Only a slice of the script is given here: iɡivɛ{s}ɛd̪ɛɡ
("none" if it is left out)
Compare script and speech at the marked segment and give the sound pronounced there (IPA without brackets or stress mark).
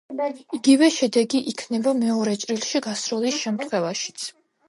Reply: ʃ